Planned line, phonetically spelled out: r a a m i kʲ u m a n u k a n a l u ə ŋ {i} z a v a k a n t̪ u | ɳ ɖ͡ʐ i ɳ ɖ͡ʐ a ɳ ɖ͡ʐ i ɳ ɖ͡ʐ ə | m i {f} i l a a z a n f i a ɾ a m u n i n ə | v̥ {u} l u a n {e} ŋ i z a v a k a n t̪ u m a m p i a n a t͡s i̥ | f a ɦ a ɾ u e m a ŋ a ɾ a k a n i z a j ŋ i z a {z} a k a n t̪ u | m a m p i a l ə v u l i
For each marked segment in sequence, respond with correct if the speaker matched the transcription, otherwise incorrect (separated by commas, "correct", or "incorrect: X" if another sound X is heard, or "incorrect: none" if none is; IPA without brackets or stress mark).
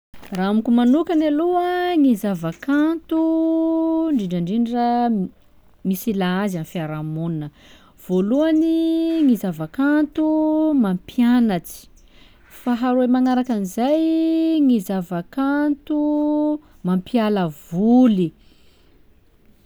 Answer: correct, incorrect: s, incorrect: o, incorrect: i, incorrect: v